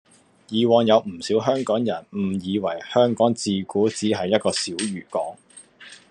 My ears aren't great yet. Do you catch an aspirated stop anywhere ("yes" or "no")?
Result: no